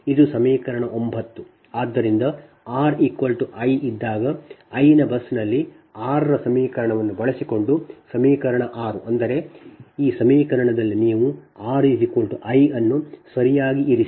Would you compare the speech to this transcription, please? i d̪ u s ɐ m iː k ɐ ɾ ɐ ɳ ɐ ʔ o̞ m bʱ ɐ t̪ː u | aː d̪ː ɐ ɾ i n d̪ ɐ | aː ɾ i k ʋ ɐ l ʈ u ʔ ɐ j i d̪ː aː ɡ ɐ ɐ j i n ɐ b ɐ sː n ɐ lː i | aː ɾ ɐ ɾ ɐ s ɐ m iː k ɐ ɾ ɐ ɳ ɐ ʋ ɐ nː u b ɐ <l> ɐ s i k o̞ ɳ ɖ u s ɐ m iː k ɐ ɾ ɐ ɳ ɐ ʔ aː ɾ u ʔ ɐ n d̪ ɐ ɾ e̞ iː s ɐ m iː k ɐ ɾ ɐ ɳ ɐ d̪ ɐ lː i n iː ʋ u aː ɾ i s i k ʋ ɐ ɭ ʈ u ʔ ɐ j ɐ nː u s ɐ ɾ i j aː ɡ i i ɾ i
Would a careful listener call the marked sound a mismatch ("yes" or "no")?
yes